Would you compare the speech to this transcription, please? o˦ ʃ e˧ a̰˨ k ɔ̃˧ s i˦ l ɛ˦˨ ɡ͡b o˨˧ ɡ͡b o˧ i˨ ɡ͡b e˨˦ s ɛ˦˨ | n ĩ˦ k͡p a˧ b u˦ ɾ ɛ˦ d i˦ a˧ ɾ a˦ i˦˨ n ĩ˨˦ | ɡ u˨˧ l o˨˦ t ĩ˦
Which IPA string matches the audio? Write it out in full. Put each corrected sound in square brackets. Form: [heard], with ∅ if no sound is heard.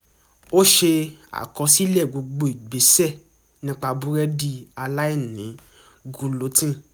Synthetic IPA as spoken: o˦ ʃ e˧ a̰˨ k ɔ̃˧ s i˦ l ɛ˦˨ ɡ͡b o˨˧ ɡ͡b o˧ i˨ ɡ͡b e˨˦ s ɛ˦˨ | n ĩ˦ k͡p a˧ b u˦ ɾ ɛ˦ d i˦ a˧ [l] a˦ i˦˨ n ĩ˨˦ | ɡ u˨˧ l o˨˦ t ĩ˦